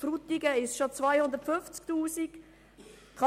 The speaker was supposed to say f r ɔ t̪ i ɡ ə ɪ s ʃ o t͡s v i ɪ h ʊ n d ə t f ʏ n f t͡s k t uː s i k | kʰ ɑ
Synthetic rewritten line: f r u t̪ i ɡ ə ɪ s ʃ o t͡s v a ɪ h ʊ n d ə t f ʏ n f t͡s k t uː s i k | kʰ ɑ